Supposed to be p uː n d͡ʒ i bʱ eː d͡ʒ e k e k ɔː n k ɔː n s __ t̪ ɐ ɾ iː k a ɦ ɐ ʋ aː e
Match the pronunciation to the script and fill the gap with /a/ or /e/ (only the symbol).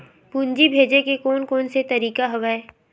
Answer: e